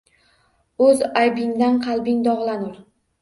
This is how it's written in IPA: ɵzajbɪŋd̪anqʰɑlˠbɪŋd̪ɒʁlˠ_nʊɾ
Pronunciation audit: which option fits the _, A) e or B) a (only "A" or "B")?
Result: B